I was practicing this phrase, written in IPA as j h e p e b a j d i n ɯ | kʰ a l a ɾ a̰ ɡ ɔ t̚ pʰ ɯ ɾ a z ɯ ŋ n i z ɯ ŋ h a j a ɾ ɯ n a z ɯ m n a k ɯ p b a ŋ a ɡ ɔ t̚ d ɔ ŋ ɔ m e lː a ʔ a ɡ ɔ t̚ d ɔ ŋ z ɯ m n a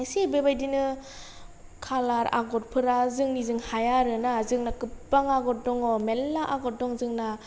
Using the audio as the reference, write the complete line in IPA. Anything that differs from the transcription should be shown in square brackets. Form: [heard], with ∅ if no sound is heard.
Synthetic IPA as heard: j [s] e [b] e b a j d i n ɯ | kʰ a l a ɾ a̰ ɡ ɔ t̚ pʰ ɯ ɾ a z ɯ ŋ n i z ɯ ŋ h a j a ɾ ɯ n a z ɯ [ŋ] n a k ɯ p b a ŋ a ɡ ɔ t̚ d ɔ ŋ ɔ m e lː a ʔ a ɡ ɔ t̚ d ɔ ŋ z ɯ [ŋ] n a

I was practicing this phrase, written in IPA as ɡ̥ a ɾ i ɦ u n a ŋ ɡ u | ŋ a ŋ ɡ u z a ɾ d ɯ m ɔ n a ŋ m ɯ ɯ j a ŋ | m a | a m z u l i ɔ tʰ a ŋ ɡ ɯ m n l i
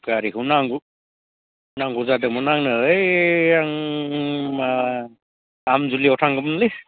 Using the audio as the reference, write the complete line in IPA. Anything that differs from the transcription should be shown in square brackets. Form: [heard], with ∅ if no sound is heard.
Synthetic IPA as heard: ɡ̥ a ɾ i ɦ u n a ŋ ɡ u | [n] a ŋ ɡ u z a [∅] d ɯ m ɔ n a ŋ [n] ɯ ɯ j a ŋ | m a | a m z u l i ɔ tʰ a ŋ ɡ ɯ m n l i

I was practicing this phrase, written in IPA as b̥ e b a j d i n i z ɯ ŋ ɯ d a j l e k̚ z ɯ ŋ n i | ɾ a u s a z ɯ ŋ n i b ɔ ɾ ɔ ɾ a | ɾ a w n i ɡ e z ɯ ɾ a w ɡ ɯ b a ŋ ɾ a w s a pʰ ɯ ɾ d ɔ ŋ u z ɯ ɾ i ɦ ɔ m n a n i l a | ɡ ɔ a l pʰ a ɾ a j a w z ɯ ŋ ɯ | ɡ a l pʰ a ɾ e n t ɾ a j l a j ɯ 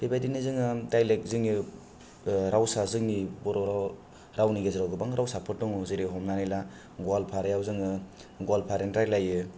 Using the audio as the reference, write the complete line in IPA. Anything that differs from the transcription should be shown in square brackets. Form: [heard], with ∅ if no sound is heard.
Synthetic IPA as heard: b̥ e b a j d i n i z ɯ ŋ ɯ d a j l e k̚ z ɯ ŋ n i | ɾ a [w] s a z ɯ ŋ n i b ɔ ɾ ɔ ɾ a | ɾ a w n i ɡ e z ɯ ɾ a w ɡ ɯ b a ŋ ɾ a w s a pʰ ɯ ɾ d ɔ ŋ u z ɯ ɾ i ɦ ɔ m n a n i l a | ɡ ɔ a l pʰ a ɾ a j a w z ɯ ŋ ɯ | ɡ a l pʰ a ɾ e n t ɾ a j l a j ɯ

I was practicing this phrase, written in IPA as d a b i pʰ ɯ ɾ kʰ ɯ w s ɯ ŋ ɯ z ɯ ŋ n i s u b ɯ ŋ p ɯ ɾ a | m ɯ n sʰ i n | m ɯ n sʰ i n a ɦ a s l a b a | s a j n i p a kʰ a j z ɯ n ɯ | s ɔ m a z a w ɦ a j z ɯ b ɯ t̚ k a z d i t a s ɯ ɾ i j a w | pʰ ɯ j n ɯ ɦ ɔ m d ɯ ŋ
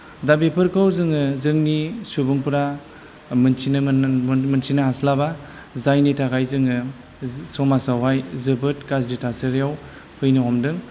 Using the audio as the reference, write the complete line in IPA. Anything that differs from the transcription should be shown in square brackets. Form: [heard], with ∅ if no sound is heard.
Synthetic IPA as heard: d a b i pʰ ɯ ɾ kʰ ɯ w [z] ɯ ŋ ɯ z ɯ ŋ n i s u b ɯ ŋ p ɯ ɾ a | m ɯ n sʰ i n | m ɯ n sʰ i n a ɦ a s l a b a | [z] a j n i [t] a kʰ a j z ɯ [ŋ] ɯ | s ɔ m a [s] a w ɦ a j z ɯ b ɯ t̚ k a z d i t a s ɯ ɾ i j a w | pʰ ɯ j n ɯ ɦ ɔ m d ɯ ŋ

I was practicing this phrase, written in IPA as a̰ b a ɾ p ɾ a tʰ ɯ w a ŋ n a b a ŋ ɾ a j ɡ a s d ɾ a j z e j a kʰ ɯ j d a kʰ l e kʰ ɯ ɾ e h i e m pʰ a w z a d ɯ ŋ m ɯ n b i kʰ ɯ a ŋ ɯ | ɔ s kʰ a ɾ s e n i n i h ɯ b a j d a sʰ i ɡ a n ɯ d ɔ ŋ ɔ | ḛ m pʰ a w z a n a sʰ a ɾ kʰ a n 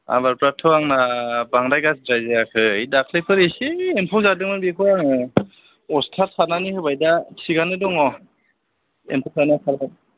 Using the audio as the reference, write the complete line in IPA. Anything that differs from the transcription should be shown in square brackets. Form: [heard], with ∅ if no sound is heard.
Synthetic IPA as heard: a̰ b a ɾ p ɾ a tʰ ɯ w a ŋ n a b a ŋ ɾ a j ɡ a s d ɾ a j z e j a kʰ ɯ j d a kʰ l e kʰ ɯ ɾ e [s] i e m pʰ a w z a d ɯ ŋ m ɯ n b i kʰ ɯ a ŋ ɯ | ɔ s [tʰ] a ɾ s [a] n [a] n i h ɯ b a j d a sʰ i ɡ a n ɯ d ɔ ŋ ɔ | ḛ m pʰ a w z a n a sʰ a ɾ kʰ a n

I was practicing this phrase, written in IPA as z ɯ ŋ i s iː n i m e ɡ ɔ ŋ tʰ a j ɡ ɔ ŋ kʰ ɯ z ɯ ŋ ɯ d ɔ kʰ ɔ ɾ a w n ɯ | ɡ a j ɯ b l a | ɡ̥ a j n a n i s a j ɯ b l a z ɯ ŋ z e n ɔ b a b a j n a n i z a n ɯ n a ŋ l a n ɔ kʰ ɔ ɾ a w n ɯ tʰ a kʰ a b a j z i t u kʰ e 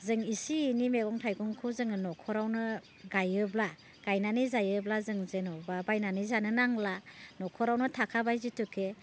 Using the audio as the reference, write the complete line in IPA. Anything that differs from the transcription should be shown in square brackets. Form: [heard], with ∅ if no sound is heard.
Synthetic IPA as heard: z ɯ ŋ i s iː n i m e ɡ ɔ ŋ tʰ a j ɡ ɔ ŋ kʰ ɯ z ɯ ŋ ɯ [n] ɔ kʰ ɔ ɾ a w n ɯ | ɡ a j ɯ b l a | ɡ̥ a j n a n i [z] a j ɯ b l a z ɯ ŋ z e n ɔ b a b a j n a n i z a n ɯ n a ŋ l a n ɔ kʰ ɔ ɾ a w n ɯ tʰ a kʰ a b a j z i t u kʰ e

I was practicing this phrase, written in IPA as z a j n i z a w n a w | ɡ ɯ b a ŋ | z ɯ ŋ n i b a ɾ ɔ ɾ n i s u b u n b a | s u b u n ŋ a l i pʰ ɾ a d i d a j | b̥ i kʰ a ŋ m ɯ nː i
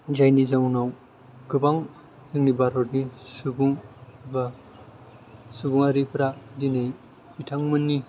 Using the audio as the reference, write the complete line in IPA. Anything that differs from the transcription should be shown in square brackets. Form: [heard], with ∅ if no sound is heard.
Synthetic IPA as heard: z a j n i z a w n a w | ɡ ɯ b a ŋ | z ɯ ŋ n i b a ɾ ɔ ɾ n i s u b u [ŋ] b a | s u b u [∅] ŋ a [ɾ] i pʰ ɾ a d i [n] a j | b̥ i [tʰ] a ŋ m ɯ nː i

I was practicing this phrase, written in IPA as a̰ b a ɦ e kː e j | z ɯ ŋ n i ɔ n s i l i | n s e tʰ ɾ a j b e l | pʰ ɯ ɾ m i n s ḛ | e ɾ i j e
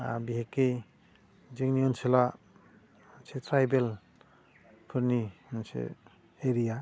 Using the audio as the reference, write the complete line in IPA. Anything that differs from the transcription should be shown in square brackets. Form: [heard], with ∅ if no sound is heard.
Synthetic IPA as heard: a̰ b [i] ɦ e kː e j | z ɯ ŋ n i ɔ n s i l [a] | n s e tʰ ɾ a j b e l | pʰ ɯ ɾ [n] i n s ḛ | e ɾ i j [a]

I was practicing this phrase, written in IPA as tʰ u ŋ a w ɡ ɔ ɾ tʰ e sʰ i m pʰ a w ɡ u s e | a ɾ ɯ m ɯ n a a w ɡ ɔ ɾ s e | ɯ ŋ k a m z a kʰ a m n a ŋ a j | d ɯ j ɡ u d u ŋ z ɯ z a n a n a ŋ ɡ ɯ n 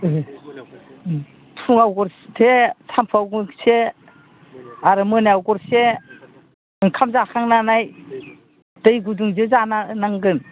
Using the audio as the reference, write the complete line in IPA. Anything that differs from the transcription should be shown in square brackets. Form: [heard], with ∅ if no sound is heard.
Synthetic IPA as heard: tʰ u ŋ a w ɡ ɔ ɾ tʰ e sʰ [a] m pʰ a w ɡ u s e | a ɾ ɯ m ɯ n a a w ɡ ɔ ɾ s e | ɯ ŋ [kʰ] a m z a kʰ a [ŋ] n a [n] a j | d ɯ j ɡ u d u ŋ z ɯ z a n a n a ŋ ɡ ɯ n

